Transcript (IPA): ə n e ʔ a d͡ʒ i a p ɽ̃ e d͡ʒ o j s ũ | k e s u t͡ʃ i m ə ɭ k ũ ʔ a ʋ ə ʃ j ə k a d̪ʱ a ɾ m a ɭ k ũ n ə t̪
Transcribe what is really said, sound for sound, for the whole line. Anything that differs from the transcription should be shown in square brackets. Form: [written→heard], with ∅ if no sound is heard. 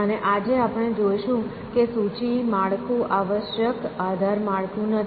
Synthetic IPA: ə n e ʔ a d͡ʒ [i→e] a p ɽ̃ e d͡ʒ o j [s→ʃ] ũ | k e s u t͡ʃ i m [ə→a] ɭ k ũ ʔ a ʋ ə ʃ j ə k a d̪ʱ a ɾ m a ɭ k ũ n ə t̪